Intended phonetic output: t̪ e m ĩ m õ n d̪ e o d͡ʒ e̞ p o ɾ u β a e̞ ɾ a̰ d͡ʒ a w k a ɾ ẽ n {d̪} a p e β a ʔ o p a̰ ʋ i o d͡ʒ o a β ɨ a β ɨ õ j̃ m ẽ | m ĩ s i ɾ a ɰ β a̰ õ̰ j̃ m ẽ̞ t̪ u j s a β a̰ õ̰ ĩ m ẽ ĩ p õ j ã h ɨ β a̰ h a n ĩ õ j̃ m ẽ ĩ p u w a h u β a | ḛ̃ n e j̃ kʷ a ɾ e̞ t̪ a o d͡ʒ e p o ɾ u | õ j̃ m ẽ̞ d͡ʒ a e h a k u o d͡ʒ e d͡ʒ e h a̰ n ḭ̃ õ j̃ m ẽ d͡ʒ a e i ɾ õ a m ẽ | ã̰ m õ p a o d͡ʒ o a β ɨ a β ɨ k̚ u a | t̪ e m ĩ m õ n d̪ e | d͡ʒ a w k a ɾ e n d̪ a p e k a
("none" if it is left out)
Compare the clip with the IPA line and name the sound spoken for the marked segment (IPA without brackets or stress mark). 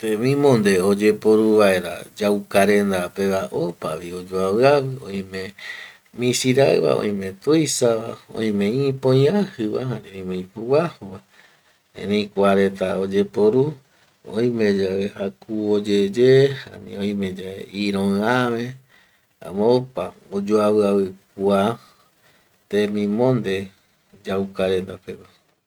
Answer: d̪